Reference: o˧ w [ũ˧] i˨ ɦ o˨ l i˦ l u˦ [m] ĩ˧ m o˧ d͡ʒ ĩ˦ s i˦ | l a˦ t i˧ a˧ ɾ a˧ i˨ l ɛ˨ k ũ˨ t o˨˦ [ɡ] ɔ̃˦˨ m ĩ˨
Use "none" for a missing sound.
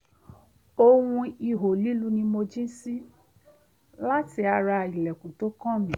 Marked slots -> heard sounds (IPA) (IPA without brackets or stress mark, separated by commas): ũ˧, n, k